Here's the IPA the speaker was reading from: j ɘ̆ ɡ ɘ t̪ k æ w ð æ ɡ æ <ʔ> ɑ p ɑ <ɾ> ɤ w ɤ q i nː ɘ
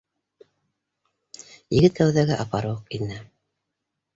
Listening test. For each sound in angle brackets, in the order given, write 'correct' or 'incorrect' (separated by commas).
correct, correct